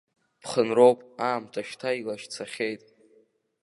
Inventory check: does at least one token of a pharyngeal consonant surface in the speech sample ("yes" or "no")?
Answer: no